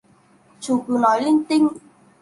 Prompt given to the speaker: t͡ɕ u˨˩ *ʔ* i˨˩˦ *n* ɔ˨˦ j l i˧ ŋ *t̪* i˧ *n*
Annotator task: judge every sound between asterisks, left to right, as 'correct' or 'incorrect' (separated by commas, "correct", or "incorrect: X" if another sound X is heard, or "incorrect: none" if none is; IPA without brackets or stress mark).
incorrect: k, correct, correct, incorrect: ŋ